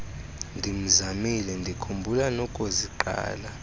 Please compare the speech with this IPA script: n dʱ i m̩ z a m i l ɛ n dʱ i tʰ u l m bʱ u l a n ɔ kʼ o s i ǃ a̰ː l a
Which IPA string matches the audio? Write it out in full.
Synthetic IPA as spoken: n dʱ i m̩ z a m i l ɛ n dʱ i kʰ u m bʱ u l a n ɔ kʼ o z i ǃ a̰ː l a